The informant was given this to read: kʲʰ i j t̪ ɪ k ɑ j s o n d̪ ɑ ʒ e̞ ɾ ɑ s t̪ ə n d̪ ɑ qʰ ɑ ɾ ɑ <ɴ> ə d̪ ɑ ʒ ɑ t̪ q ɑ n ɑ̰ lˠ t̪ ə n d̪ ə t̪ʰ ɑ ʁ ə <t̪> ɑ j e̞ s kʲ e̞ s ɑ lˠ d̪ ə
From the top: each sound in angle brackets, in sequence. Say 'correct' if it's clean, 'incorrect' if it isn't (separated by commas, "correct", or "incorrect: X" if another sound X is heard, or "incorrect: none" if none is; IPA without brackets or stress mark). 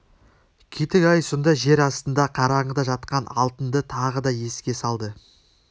correct, incorrect: d̪